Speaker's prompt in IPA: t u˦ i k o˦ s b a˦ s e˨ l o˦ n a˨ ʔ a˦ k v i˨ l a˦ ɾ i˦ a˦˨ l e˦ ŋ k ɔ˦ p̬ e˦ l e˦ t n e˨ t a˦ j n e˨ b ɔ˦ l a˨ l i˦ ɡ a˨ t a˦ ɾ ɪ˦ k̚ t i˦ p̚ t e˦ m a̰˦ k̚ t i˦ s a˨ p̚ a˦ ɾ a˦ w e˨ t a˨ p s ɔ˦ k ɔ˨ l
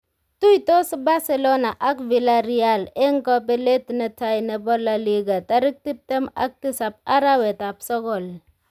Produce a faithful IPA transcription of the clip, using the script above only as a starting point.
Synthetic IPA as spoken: t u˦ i t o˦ s b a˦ s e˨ l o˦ n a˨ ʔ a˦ k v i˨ l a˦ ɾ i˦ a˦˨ l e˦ ŋ k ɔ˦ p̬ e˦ l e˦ t n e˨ t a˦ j n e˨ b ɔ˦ l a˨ l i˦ ɡ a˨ t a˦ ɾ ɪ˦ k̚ t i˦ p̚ t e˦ m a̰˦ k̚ t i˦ s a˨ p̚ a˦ ɾ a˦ w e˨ t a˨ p s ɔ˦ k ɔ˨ l